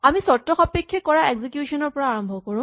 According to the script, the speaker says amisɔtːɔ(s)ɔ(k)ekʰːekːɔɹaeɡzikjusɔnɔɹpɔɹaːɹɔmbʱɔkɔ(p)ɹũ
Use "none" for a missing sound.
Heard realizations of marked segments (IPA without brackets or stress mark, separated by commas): x, p, none